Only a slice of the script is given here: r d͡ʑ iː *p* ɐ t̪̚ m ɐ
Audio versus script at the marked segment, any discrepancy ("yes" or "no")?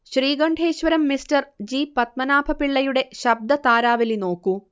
no